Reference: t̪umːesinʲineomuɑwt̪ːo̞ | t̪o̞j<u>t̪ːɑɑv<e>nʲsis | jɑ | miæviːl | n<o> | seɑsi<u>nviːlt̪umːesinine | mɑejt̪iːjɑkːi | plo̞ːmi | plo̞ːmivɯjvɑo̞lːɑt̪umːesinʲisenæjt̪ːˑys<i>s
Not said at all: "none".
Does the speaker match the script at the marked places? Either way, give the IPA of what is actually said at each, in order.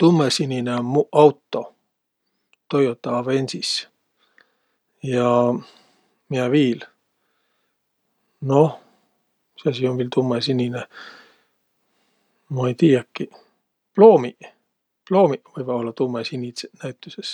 o, e, o, o, e

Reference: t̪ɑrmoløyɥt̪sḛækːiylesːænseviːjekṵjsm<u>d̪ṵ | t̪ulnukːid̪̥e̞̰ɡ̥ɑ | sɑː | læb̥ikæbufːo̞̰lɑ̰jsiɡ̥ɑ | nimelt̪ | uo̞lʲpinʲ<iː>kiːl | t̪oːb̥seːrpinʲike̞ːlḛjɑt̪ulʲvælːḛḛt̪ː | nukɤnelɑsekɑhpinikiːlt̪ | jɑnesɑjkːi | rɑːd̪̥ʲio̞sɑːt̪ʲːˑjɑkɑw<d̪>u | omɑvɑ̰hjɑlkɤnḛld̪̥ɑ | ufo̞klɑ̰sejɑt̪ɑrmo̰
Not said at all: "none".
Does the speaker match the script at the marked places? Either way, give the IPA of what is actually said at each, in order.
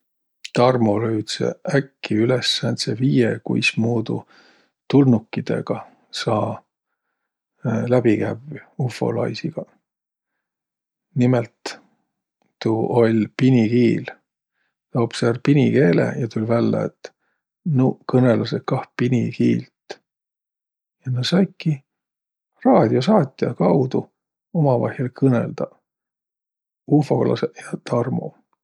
uː, i, d̪

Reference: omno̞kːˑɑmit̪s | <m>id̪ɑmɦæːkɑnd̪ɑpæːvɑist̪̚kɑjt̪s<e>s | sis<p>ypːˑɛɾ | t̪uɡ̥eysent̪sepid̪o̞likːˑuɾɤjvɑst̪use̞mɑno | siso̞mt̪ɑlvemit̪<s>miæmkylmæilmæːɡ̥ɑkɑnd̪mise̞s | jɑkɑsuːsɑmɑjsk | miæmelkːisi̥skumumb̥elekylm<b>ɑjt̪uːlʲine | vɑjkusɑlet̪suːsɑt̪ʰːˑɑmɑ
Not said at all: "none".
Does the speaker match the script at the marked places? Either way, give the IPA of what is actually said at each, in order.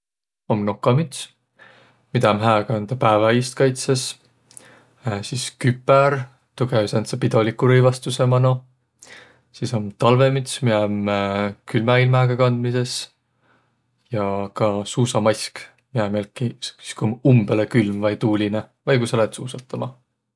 m, e, k, s, v

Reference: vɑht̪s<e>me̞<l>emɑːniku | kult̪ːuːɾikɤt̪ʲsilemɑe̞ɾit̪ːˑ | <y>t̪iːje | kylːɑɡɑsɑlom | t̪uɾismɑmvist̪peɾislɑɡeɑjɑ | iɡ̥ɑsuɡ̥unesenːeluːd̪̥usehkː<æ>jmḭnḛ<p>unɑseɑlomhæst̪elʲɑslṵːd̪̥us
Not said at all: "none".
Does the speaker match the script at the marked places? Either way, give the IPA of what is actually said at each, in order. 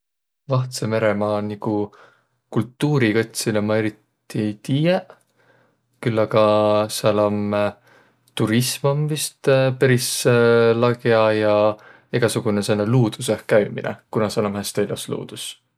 e, ɾ, i, æ, k

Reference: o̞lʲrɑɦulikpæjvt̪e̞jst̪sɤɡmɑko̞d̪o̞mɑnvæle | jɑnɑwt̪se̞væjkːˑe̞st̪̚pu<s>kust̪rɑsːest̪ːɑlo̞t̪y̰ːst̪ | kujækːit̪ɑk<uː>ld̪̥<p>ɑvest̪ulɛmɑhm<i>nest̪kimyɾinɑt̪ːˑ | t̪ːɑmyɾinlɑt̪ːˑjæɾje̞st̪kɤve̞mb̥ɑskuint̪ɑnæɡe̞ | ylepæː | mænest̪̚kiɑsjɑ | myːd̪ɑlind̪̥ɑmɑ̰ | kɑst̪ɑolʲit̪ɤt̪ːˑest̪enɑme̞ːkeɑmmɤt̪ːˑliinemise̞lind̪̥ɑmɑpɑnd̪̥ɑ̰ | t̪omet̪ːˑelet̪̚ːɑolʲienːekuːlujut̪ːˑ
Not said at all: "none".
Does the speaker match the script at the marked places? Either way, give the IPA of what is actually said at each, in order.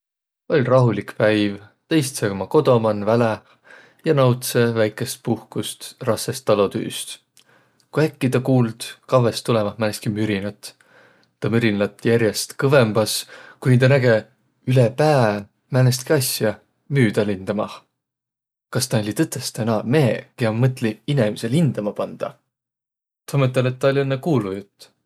h, uː, k, æ

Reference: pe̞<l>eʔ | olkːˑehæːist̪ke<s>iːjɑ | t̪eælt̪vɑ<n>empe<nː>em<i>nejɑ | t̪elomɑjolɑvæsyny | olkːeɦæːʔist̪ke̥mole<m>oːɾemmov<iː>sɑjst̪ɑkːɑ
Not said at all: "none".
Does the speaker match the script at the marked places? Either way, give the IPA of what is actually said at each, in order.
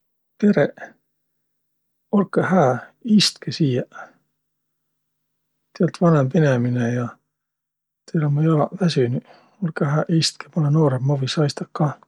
ɾ, s, n, n, i, n, i

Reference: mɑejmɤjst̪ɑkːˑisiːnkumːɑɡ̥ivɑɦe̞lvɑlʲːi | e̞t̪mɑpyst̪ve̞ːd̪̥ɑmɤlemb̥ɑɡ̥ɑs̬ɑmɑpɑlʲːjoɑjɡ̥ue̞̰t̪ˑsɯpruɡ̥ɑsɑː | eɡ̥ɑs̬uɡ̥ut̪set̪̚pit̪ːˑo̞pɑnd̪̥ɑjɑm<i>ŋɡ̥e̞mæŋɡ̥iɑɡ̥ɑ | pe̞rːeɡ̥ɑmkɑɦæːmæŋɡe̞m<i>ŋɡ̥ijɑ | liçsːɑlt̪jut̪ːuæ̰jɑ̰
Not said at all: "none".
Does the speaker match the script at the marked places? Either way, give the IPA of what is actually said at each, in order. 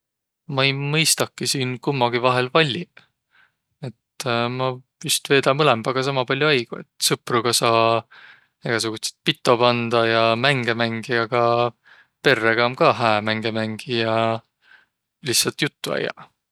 æ, æ

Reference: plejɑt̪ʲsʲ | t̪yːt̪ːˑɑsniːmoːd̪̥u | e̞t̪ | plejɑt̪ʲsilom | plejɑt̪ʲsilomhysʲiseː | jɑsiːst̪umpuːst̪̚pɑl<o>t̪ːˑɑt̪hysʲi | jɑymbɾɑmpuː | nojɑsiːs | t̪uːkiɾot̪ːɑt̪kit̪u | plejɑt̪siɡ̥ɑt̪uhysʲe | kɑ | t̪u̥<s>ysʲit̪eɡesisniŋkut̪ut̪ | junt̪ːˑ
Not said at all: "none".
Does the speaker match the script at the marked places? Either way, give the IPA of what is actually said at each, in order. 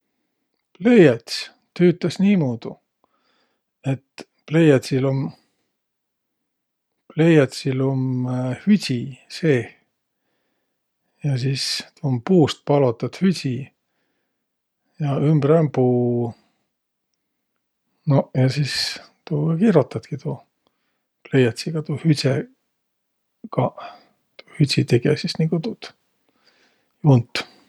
o, h

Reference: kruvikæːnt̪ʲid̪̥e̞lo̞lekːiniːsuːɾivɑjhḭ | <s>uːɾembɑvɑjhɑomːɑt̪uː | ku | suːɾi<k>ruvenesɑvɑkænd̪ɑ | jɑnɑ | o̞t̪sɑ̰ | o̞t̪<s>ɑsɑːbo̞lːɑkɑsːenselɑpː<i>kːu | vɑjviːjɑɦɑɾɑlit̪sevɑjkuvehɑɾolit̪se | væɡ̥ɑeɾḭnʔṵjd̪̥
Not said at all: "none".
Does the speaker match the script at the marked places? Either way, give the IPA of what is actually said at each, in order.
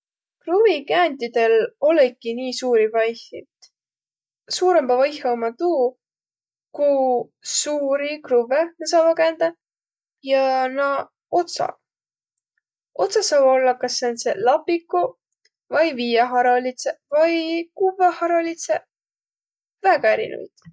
s, k, s, i

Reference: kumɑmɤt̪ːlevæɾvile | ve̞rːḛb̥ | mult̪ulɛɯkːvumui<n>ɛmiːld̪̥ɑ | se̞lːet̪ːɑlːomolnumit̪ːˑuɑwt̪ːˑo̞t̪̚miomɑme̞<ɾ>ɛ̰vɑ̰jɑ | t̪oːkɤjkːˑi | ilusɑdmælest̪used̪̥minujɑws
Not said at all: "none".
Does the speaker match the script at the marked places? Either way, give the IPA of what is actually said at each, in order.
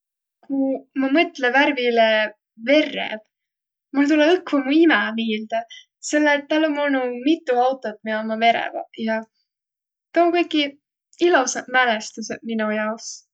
m, ɾ

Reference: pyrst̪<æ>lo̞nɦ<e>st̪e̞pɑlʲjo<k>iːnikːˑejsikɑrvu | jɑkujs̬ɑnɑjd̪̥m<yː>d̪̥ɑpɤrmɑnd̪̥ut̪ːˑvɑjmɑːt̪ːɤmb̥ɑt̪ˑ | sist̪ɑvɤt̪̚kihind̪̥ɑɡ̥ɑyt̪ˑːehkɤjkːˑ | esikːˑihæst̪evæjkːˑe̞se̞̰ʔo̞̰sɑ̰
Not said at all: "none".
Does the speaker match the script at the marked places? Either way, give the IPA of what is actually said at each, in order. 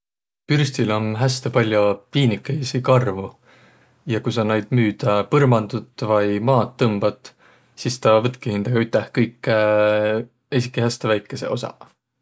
i, æ, p, yː

